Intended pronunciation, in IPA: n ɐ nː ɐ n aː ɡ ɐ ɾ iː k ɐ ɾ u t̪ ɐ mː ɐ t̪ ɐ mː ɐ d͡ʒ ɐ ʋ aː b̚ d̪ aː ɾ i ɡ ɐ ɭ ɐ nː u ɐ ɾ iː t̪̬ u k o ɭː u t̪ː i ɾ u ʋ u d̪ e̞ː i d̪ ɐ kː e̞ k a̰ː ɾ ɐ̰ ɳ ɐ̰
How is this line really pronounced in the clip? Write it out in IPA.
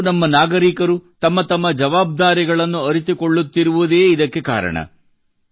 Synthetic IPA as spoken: n ɐ mː ɐ n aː ɡ ɐ ɾ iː k ɐ ɾ u t̪ ɐ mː ɐ t̪ ɐ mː ɐ d͡ʒ ɐ ʋ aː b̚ d̪ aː ɾ i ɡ ɐ ɭ ɐ nː u ɐ ɾ i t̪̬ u k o ɭː u t̪ː i ɾ u ʋ u d̪ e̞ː i d̪ ɐ kː e̞ k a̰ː ɾ ɐ̰ ɳ ɐ̰